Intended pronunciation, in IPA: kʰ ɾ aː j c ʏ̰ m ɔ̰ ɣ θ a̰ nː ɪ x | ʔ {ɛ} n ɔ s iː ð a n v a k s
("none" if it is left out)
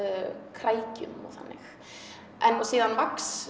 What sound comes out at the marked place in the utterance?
ɛ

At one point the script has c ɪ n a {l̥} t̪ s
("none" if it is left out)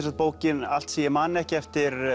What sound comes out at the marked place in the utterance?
l̥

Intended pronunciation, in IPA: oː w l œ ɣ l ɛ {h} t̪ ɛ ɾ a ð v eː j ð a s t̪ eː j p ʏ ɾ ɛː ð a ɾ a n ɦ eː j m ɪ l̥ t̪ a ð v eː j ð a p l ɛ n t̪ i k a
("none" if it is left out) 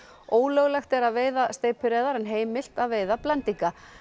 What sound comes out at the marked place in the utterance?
x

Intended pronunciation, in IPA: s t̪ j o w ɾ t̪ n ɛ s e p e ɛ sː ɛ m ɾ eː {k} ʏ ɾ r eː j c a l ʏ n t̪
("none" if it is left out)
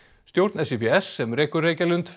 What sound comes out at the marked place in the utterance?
k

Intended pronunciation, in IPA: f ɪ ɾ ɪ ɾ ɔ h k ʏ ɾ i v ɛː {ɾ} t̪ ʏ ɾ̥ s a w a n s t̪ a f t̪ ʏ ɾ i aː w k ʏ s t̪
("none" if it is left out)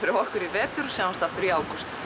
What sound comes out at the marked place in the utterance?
none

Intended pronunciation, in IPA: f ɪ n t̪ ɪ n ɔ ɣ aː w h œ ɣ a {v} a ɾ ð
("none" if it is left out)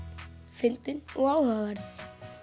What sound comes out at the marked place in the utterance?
v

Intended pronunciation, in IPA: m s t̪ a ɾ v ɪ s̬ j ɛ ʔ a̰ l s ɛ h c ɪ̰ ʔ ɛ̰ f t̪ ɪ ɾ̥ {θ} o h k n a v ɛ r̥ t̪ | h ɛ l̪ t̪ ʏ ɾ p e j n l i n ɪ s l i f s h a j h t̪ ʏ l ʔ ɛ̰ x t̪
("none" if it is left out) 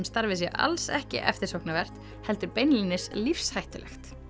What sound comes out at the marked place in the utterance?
s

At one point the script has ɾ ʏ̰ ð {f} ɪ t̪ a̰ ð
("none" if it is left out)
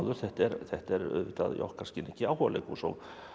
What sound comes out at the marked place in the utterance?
v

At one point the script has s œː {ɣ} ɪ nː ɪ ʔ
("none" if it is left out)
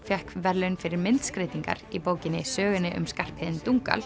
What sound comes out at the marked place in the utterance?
ɣ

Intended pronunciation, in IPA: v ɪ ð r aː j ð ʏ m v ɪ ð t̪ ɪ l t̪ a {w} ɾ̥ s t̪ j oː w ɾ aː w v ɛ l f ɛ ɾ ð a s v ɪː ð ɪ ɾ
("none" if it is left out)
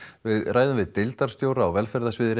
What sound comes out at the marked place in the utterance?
none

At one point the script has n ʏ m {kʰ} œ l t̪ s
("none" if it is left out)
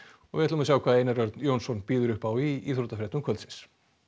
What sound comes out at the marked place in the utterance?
kʰ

